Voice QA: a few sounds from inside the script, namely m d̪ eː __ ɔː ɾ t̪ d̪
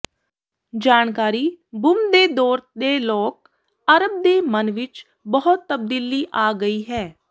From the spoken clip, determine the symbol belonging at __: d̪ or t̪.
d̪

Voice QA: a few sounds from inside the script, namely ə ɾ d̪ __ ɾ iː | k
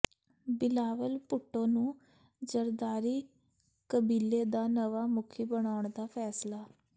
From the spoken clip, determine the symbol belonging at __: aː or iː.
aː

